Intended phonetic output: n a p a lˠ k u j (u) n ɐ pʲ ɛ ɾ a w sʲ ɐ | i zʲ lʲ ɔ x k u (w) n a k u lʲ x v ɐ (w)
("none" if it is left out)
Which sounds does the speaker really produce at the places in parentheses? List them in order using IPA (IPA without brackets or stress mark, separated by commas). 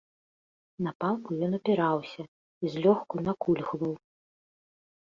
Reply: ɔ, none, w